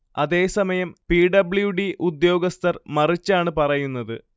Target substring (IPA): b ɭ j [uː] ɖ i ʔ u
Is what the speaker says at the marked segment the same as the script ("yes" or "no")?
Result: no